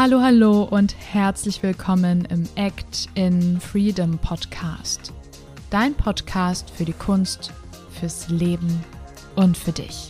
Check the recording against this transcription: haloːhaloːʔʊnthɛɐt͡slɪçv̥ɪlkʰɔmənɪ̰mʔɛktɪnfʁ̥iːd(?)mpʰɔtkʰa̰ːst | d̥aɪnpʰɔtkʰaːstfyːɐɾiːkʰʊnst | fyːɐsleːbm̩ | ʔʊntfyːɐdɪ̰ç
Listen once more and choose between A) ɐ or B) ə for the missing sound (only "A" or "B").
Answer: B